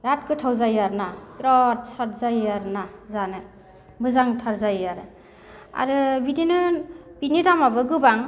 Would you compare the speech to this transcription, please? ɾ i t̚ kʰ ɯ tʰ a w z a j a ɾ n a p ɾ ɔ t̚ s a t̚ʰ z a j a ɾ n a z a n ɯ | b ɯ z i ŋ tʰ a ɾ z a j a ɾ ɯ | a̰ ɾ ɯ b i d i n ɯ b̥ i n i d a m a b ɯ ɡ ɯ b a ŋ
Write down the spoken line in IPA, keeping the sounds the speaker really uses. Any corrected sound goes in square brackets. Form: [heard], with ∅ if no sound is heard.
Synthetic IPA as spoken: ɾ [a] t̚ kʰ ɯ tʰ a w z a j a ɾ n a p ɾ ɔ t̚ s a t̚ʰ z a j a ɾ n a z a n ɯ | b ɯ z [a] ŋ tʰ a ɾ z a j a ɾ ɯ | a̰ ɾ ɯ b i d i n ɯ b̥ i n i d a m a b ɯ ɡ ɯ b a ŋ